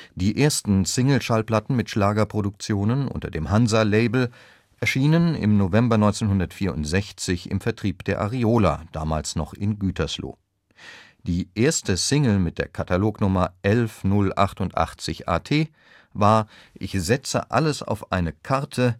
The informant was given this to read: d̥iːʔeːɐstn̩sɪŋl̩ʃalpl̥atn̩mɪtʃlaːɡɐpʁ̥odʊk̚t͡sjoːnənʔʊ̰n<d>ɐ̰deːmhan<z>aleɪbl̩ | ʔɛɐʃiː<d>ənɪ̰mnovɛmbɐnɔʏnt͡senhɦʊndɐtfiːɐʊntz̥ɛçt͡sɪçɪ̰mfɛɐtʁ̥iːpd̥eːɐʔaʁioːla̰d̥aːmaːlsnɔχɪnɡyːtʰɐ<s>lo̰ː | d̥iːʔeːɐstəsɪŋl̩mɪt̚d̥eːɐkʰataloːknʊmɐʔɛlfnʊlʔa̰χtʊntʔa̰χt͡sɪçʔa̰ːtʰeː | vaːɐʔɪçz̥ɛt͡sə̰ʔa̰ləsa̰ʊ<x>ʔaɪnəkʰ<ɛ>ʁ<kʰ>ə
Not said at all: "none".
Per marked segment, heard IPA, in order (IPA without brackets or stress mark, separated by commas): t, z, n, s, f, a, tʰ